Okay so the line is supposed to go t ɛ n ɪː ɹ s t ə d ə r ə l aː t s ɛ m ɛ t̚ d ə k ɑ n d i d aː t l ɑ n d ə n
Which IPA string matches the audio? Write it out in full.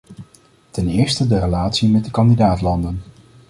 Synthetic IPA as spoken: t ɛ n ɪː ɹ s t ə d ə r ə l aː t s i m ɛ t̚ d ə k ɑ n d i d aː t l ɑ n d ə n